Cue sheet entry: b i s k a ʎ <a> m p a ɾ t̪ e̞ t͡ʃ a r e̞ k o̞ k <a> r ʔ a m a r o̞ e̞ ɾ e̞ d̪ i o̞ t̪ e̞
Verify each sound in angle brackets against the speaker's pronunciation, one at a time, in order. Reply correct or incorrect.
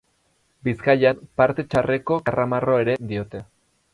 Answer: correct, correct

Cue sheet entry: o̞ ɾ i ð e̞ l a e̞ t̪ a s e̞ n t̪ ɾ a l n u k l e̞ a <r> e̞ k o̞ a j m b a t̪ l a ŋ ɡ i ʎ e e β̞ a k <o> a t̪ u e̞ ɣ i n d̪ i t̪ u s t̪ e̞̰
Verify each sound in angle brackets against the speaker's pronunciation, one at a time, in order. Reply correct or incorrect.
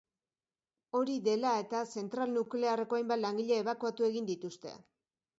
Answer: correct, incorrect: u

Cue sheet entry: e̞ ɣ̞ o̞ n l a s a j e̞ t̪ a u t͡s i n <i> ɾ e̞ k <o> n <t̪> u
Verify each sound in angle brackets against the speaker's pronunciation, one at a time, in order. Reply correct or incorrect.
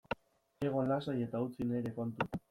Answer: incorrect: e, correct, correct

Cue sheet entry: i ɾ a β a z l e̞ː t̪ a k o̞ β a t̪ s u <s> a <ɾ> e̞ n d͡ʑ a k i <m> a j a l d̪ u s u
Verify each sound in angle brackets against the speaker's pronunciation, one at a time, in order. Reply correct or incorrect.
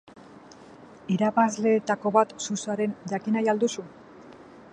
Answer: correct, correct, incorrect: n

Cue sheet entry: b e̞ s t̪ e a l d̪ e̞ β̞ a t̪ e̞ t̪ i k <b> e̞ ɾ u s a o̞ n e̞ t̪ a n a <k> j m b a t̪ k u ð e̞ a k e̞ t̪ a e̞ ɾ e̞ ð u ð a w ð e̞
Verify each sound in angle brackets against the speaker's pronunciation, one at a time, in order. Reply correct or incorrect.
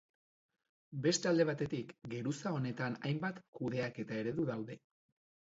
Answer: incorrect: ɡ, incorrect: none

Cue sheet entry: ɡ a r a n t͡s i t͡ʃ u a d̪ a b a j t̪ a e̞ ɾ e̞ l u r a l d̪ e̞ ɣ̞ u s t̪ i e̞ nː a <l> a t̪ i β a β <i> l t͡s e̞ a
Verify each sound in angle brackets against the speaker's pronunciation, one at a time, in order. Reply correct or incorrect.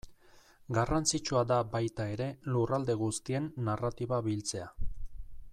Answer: incorrect: r, correct

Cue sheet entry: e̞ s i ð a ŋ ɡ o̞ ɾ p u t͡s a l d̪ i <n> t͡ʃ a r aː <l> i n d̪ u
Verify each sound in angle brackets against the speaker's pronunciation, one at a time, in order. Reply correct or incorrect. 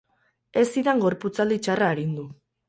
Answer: incorrect: none, incorrect: ɾ

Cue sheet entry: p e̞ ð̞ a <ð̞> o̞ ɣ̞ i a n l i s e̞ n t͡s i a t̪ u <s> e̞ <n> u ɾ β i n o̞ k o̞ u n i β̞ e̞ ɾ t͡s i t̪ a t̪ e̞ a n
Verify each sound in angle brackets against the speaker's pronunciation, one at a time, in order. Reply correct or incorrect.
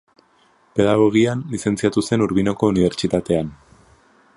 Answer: incorrect: ɣ̞, correct, correct

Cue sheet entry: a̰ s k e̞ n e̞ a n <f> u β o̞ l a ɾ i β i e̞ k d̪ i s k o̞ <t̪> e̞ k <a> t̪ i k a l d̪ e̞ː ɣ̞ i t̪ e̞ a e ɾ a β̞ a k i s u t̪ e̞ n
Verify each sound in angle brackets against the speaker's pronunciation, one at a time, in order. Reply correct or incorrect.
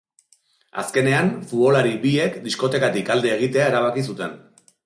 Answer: correct, correct, correct

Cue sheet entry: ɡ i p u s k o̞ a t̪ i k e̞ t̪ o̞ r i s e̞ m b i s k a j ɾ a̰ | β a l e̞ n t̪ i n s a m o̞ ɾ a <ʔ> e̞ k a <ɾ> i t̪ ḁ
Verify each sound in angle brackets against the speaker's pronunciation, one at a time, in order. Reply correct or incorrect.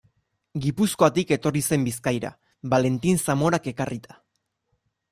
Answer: incorrect: k, incorrect: r

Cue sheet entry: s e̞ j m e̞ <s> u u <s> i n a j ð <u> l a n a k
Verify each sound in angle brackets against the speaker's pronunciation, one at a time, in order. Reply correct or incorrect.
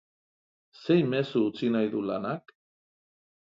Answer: correct, incorrect: t͡s, correct

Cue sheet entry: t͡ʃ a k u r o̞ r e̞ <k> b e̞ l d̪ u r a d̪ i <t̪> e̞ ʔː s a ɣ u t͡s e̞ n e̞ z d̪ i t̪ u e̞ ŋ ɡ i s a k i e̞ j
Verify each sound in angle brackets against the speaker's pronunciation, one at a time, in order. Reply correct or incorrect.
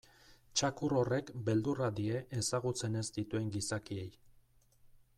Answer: correct, incorrect: none

